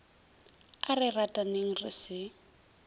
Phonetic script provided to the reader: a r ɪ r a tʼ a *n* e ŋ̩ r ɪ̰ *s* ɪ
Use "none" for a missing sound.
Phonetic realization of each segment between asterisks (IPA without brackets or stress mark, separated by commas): n, s